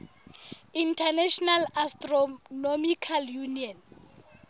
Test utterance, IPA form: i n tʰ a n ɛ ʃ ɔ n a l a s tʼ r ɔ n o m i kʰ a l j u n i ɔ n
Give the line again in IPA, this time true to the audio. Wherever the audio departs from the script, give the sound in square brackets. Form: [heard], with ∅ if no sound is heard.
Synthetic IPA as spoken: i n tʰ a n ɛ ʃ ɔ n a l a s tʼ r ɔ n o m i kʰ a l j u n i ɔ n